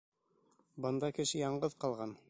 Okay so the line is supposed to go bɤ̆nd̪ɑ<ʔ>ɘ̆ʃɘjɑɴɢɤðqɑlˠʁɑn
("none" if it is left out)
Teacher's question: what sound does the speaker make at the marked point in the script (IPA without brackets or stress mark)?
k